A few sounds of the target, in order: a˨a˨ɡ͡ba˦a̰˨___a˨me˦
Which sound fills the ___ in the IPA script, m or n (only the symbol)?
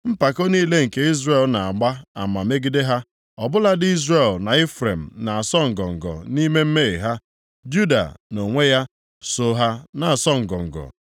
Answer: m